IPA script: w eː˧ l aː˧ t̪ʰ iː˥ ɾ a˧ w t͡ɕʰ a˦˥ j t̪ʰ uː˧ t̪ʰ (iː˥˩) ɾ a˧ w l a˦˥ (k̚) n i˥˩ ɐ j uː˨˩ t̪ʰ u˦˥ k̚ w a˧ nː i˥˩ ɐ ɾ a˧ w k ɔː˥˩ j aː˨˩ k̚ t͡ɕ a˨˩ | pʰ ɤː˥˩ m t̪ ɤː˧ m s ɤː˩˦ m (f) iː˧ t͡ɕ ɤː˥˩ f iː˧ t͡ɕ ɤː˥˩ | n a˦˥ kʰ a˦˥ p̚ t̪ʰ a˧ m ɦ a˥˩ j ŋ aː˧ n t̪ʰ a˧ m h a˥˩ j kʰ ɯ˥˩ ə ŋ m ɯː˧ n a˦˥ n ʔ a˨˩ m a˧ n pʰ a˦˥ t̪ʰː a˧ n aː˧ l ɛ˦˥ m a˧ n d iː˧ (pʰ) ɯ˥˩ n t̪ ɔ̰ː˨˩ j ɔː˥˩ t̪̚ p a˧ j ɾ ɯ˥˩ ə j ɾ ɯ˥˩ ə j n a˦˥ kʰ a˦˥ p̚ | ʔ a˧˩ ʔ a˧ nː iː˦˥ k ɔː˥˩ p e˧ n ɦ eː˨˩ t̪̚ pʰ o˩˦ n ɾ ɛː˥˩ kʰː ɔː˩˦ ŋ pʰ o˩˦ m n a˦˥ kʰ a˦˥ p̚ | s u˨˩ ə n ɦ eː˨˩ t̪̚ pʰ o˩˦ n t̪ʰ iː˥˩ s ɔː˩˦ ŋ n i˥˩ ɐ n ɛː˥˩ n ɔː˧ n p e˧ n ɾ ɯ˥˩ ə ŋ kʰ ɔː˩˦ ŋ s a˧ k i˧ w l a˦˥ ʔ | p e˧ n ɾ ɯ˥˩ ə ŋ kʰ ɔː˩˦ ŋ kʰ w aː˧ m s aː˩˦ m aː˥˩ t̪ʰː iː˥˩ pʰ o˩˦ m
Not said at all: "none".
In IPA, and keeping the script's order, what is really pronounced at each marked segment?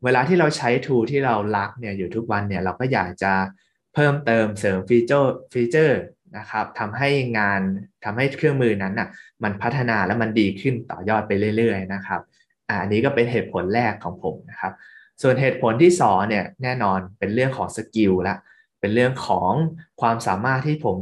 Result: iː˥˩, k̚, f, kʰ

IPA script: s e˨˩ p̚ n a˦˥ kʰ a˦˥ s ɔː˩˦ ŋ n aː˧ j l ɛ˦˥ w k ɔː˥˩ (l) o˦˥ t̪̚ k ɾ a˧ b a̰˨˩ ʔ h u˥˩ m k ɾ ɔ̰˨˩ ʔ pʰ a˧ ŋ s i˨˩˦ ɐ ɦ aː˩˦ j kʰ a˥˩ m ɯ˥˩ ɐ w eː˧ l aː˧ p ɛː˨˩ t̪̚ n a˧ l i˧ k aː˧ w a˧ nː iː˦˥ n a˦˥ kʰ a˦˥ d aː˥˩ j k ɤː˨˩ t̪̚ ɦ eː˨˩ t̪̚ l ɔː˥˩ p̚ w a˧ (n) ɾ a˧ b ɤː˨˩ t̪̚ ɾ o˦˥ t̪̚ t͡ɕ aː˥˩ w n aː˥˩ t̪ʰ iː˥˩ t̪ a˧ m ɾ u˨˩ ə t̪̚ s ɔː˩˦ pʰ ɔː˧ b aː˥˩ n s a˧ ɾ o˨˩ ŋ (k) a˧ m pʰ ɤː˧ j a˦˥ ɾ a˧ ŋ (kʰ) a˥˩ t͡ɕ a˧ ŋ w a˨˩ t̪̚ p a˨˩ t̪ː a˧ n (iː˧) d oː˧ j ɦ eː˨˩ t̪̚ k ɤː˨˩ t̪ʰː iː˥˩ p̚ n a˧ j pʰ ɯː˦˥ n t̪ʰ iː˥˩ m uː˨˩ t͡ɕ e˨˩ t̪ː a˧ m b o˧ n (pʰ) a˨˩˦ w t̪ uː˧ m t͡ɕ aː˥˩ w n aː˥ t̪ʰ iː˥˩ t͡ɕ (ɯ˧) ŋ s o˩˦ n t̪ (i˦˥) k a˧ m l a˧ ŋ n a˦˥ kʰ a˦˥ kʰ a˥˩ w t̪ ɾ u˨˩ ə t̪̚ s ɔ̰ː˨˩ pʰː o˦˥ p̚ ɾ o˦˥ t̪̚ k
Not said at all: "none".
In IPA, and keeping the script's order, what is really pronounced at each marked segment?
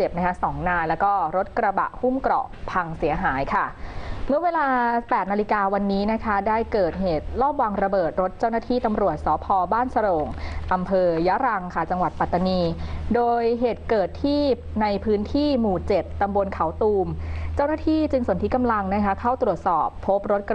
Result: ɾ, ŋ, ʔ, kʰ, iː˧, kʰ, ɯ˧, i˦˥

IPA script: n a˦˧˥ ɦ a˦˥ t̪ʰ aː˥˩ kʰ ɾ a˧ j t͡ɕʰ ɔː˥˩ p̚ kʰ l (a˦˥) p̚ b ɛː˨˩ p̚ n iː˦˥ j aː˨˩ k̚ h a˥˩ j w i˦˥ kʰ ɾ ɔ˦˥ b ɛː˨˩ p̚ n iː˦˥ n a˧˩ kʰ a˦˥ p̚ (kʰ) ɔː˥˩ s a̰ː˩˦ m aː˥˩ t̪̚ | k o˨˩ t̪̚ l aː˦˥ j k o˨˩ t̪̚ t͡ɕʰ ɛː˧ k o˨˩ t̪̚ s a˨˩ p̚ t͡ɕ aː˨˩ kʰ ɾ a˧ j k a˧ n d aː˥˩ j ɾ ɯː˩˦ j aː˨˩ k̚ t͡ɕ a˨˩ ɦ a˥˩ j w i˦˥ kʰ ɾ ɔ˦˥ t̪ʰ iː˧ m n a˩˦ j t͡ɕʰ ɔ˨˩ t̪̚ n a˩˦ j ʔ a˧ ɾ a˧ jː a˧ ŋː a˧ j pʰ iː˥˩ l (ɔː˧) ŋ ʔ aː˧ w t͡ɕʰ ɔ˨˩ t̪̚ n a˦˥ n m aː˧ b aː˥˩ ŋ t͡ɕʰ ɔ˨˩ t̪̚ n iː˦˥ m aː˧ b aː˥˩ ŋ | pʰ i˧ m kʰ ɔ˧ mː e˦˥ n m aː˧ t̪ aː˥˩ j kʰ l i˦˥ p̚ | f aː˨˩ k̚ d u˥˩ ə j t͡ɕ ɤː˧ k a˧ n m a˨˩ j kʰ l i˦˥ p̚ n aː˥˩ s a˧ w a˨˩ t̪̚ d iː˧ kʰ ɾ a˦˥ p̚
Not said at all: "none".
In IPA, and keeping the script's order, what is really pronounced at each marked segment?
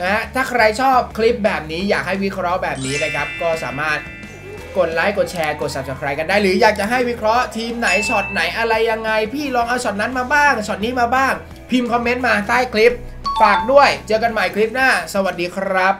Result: i˦˥, k, ɔː˧

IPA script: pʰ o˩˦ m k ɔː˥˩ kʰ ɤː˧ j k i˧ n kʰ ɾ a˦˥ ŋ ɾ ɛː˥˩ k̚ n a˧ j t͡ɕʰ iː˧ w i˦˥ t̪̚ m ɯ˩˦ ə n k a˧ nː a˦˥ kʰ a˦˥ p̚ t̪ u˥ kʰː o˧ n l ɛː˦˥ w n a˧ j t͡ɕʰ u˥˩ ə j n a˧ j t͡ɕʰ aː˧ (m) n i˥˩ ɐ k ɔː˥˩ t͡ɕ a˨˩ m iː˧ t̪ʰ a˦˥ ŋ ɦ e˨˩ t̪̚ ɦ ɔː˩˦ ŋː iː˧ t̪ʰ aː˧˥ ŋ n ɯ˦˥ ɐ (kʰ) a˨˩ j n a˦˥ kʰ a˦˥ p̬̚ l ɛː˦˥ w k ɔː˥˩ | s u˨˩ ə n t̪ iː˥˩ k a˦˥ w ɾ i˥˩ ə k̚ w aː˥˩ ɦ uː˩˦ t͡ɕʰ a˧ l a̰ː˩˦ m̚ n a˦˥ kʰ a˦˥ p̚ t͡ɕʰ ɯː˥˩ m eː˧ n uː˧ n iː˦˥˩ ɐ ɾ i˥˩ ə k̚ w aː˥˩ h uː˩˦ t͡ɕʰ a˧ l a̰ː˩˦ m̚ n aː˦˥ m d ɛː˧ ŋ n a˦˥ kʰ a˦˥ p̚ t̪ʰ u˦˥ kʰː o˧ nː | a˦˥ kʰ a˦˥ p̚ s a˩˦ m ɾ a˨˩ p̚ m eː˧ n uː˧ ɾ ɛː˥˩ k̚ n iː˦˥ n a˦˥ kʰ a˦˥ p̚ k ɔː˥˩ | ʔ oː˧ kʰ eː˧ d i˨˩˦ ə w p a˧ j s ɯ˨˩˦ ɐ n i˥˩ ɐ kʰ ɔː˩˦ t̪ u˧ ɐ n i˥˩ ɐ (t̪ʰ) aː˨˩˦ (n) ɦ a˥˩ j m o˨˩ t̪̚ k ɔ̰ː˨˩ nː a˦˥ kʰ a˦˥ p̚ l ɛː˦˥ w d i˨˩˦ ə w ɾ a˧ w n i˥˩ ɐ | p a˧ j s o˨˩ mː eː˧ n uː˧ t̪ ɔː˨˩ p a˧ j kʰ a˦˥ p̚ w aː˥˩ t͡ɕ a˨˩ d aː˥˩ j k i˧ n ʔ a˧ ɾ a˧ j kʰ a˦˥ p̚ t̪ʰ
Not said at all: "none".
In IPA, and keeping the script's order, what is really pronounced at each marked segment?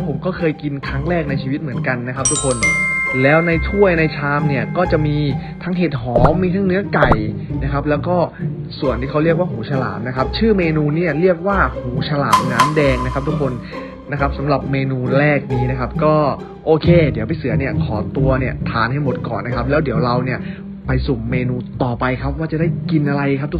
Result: m, k, t̪ʰ, n

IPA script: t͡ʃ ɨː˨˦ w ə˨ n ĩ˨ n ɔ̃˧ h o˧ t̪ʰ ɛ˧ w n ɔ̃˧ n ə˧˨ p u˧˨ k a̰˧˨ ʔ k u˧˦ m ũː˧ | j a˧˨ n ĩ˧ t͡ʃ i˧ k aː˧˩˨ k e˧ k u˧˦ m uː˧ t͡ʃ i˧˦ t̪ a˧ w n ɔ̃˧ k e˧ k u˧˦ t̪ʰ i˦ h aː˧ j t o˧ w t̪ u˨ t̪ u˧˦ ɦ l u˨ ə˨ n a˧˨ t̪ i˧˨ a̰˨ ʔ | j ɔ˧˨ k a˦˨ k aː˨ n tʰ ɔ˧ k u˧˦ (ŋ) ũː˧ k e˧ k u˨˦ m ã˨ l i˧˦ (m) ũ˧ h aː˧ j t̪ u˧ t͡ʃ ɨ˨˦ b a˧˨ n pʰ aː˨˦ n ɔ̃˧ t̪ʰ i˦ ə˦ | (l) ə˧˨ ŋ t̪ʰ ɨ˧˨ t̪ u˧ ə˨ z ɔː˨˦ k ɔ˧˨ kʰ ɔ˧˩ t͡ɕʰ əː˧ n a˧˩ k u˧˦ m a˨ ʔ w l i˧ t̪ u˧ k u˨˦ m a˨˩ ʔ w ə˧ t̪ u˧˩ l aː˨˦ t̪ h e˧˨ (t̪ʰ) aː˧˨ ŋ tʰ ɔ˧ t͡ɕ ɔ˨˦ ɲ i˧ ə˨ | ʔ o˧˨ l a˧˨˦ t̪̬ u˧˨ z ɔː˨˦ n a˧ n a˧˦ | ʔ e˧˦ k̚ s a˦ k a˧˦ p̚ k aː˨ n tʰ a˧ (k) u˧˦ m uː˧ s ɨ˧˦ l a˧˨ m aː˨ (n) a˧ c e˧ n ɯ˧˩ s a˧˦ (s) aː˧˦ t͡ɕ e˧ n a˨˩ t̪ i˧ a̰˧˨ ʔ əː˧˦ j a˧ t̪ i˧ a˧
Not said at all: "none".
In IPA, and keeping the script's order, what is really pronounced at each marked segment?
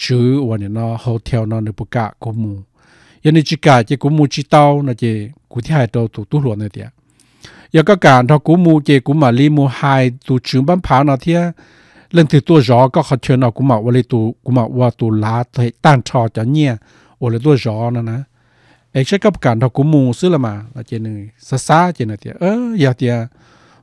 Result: m, m, l, t̪, k, n, s

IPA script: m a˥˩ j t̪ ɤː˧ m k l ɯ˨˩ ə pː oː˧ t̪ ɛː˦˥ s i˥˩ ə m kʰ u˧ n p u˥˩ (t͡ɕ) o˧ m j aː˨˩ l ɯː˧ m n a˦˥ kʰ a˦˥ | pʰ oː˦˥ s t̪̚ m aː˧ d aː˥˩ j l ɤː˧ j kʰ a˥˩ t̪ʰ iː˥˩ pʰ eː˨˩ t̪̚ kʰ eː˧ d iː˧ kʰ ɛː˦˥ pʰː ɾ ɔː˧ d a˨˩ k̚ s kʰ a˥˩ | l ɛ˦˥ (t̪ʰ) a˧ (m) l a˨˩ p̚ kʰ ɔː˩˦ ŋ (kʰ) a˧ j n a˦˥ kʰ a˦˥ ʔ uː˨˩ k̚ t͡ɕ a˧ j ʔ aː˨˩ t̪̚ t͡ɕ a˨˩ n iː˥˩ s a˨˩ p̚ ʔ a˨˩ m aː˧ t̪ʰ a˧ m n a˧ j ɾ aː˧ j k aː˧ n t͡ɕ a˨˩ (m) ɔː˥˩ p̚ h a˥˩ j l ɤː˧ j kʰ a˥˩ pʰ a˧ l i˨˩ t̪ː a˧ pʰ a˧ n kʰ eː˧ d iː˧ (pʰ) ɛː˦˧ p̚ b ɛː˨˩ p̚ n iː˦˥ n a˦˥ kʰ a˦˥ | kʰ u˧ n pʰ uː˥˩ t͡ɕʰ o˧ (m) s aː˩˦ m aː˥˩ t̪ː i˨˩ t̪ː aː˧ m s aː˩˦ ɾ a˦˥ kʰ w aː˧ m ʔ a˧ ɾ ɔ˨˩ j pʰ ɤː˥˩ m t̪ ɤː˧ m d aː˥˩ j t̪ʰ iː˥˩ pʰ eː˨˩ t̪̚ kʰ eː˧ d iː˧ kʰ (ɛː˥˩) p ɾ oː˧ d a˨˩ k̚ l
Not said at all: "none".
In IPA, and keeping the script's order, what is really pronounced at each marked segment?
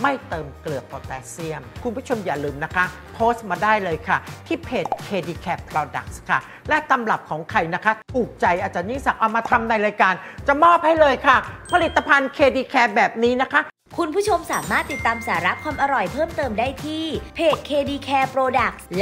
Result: t͡ɕʰ, t̪, m, kʰ, m, kʰ, m, ɛː˧

